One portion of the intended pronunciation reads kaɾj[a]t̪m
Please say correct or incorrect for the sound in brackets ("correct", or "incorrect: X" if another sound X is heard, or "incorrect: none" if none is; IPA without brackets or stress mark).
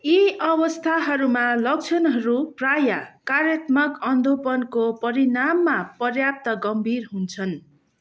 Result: incorrect: ʌ